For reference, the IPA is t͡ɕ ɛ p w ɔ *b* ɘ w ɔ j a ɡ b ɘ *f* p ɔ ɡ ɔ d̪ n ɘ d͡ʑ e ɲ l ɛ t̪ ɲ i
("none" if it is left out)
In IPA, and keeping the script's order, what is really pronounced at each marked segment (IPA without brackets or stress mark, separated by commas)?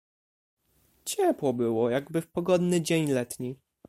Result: b, f